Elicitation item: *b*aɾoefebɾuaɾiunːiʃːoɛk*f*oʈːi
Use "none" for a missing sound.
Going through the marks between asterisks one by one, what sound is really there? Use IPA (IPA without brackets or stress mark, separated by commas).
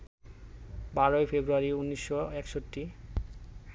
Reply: b, ʃ